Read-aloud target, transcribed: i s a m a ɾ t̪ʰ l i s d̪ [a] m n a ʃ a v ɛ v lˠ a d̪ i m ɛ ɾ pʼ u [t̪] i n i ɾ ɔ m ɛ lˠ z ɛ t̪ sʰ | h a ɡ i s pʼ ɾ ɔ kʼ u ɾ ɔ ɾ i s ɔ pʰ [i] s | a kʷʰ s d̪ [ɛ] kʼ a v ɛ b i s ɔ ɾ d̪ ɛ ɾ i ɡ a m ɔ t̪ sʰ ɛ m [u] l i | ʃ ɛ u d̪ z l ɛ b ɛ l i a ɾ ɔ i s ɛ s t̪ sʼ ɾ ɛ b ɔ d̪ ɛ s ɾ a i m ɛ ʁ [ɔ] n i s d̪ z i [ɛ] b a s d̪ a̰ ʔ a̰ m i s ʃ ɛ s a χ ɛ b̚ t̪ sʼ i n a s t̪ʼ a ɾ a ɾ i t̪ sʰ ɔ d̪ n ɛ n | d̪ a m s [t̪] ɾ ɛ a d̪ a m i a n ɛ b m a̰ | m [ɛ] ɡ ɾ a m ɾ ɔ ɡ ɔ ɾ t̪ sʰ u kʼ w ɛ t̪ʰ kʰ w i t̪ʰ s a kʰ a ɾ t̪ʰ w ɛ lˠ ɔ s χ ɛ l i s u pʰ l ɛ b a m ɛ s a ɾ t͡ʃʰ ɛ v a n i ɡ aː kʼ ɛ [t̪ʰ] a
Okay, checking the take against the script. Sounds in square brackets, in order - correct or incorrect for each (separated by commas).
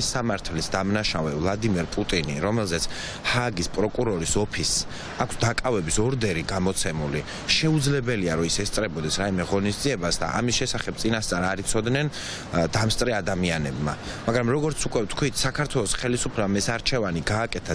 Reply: correct, incorrect, correct, incorrect, correct, correct, correct, incorrect, incorrect, correct